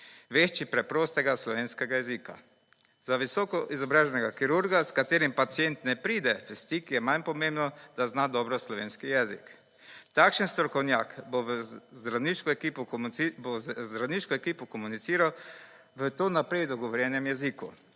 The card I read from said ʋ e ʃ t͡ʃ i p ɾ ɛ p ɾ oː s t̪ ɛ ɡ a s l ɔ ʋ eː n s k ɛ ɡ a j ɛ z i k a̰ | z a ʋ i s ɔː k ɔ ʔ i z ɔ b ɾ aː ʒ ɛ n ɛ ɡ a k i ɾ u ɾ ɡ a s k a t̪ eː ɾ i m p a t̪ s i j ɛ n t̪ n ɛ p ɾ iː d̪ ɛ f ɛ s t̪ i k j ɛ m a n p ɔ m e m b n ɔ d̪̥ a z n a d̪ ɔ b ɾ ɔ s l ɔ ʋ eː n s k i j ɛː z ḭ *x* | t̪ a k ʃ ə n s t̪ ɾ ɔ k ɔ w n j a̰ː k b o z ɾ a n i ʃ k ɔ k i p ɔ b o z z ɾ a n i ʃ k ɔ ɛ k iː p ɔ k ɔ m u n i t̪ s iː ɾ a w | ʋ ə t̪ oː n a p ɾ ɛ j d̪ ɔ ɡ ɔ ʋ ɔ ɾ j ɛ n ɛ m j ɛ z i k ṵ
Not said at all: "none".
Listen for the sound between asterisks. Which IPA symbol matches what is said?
k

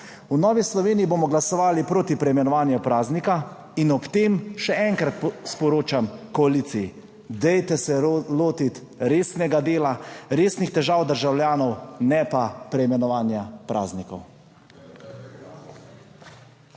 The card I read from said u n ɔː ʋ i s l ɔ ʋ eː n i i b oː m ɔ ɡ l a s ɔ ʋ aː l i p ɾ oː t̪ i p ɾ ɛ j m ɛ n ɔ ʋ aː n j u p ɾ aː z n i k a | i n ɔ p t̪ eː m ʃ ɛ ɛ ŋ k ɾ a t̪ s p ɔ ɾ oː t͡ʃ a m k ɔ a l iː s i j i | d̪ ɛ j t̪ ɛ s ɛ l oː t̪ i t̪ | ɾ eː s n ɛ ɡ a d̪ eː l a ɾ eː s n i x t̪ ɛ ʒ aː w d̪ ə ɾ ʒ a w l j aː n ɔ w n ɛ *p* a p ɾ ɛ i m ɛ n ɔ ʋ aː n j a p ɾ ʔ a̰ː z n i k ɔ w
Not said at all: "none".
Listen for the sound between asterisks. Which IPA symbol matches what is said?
p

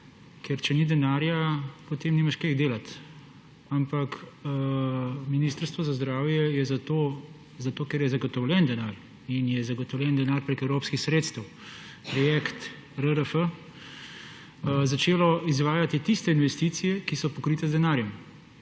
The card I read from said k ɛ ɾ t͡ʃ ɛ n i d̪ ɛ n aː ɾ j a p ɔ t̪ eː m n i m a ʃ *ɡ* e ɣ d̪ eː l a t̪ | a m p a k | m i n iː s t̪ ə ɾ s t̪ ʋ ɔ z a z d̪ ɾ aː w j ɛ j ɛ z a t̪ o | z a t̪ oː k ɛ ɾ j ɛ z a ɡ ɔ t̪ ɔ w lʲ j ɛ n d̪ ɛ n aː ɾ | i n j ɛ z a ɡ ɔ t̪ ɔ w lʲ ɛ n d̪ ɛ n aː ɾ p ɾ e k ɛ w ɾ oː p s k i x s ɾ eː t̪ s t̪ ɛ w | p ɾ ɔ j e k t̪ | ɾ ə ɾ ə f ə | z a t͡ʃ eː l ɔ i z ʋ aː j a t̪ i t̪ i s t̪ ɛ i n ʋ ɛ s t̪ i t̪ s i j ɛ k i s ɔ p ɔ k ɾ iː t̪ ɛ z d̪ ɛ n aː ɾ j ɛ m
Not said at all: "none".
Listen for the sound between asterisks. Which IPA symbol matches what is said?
k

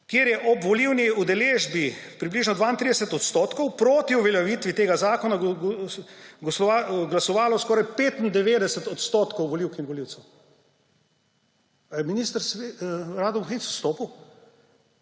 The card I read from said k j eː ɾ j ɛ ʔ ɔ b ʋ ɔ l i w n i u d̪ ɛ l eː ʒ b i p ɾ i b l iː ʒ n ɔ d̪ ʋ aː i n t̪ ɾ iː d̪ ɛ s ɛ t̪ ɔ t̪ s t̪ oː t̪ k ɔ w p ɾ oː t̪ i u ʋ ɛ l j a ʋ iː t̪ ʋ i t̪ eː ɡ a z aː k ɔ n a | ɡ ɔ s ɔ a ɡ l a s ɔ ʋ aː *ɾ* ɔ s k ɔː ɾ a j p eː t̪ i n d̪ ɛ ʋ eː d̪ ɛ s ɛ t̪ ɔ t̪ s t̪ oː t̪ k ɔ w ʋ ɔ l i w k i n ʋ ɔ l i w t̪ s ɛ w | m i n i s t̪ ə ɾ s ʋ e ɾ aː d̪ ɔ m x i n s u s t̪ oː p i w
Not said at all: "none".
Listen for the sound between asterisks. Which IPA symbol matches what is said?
l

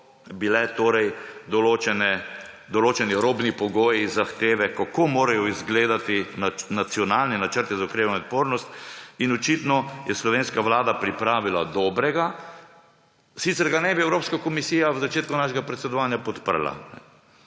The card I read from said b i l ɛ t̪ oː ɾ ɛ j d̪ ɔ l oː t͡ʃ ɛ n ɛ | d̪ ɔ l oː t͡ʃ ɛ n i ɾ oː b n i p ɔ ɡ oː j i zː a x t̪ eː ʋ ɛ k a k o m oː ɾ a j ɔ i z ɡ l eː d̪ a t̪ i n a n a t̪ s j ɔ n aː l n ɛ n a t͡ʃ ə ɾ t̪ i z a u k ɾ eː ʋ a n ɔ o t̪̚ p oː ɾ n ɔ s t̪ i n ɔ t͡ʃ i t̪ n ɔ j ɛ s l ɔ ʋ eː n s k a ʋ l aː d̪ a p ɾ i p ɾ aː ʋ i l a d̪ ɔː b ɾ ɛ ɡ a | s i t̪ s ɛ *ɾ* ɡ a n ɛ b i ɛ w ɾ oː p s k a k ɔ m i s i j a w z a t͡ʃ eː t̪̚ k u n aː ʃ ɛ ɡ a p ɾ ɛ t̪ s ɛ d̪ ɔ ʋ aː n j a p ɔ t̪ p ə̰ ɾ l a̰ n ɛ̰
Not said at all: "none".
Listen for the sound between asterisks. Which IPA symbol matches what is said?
ɾ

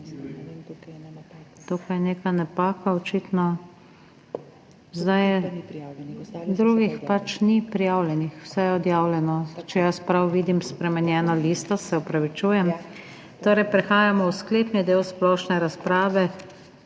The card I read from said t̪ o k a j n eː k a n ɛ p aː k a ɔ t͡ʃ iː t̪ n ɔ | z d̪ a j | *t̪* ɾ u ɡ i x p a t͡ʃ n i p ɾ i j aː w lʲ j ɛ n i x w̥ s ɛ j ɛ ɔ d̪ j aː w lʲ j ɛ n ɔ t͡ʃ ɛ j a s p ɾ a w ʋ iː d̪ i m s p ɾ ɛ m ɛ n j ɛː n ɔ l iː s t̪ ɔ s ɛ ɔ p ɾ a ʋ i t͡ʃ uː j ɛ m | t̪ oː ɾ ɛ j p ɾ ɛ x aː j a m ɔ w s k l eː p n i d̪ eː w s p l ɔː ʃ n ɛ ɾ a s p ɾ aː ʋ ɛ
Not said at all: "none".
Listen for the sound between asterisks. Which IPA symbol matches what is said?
d̪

